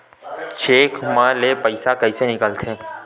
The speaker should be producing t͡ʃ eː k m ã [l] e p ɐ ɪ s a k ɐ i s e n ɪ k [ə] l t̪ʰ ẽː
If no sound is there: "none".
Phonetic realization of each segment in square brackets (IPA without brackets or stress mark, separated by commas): l, ə